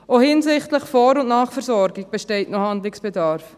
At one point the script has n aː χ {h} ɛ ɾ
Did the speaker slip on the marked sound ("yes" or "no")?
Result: yes